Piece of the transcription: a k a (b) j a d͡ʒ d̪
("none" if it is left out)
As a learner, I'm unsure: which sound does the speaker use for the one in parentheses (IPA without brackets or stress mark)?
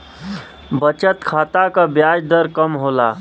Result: b